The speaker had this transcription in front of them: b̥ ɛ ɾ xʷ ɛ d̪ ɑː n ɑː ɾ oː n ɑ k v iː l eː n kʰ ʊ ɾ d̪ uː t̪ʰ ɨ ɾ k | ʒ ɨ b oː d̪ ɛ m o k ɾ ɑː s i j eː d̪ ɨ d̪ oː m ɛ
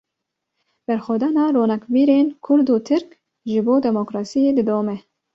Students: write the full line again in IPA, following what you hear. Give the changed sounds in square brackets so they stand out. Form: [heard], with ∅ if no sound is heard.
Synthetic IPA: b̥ ɛ ɾ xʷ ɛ d̪ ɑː n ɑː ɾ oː n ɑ k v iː [ɾ] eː n kʰ ʊ ɾ d̪ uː t̪ʰ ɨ ɾ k | ʒ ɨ b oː d̪ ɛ m o k ɾ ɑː s i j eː d̪ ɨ d̪ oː m ɛ